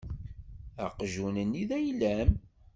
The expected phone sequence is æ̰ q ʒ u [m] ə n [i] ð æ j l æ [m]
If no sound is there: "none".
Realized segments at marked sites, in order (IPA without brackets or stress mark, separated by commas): n, i, m